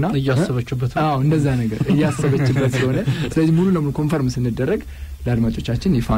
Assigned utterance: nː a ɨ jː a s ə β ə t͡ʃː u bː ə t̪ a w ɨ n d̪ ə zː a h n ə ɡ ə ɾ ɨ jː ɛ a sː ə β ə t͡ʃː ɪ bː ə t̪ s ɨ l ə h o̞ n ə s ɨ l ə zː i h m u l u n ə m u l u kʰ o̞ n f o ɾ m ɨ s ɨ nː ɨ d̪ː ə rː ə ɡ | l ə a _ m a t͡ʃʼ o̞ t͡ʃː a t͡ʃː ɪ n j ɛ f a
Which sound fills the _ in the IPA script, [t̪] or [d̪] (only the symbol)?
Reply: d̪